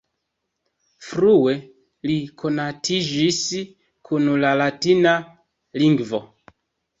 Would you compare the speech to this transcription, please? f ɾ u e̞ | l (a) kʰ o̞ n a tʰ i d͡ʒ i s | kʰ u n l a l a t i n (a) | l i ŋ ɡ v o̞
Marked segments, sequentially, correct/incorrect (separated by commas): incorrect, correct